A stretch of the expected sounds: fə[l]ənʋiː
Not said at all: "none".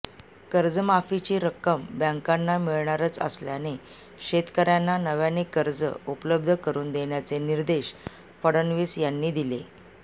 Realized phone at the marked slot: ɽ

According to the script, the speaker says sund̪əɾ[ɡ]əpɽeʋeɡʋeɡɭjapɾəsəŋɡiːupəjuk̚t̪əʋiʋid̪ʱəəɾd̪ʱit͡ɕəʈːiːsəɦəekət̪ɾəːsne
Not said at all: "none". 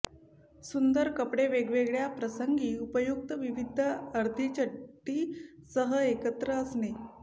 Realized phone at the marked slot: k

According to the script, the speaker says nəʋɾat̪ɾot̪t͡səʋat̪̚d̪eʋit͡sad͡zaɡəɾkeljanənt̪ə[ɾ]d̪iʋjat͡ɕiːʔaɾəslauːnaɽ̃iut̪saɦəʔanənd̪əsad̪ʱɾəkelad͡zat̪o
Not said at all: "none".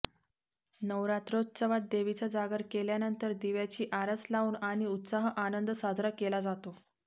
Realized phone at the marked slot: ɾ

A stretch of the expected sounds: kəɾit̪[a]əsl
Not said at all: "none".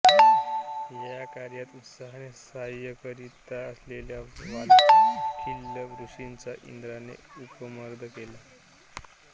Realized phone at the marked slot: a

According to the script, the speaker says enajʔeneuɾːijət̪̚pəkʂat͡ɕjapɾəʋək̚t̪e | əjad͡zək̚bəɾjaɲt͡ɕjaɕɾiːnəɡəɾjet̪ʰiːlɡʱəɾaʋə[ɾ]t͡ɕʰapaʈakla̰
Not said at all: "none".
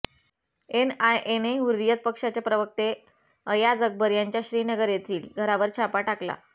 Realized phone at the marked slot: ɾ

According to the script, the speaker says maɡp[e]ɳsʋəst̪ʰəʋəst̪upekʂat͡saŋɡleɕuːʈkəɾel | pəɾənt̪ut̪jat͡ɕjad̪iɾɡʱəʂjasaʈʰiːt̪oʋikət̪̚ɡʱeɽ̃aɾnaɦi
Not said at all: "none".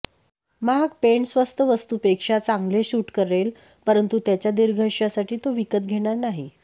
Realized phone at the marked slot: e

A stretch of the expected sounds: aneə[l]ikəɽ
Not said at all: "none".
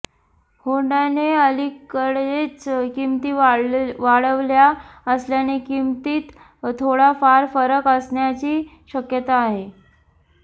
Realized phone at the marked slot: l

